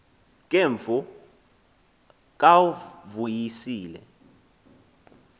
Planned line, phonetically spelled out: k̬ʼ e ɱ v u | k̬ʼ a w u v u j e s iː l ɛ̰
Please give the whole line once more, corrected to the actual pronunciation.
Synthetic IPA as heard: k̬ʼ e ɱ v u | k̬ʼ a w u v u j i s iː l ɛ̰